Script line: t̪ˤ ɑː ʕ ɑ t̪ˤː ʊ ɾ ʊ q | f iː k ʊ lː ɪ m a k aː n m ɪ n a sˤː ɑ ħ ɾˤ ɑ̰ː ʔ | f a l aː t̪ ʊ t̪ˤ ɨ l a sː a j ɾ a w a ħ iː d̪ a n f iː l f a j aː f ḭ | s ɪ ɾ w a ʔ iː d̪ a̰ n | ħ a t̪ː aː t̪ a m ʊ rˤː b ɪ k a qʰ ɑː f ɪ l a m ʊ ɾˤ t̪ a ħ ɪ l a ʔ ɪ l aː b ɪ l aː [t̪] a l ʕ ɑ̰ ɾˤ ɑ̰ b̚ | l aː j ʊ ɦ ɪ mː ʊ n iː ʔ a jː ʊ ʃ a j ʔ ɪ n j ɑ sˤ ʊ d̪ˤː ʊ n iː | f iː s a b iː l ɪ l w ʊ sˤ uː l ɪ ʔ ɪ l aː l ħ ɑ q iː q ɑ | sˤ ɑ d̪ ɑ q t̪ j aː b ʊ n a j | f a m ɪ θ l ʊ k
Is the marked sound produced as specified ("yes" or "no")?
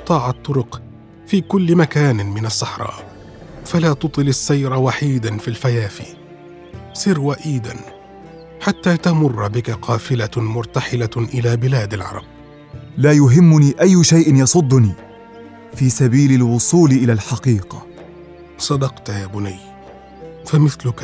no